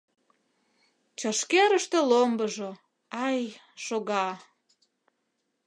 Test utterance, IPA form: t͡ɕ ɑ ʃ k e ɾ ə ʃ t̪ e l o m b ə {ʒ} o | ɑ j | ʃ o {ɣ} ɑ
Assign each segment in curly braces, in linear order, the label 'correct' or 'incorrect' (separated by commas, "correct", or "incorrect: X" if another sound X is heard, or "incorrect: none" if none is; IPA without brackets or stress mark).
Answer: correct, correct